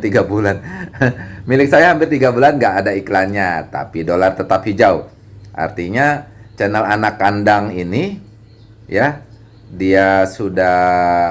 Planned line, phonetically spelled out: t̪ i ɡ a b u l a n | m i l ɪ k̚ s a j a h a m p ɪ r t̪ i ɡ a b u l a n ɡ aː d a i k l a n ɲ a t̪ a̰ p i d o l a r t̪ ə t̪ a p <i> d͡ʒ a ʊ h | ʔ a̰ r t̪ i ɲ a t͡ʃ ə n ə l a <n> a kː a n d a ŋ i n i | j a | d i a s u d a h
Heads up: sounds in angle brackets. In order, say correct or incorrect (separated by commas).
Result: correct, correct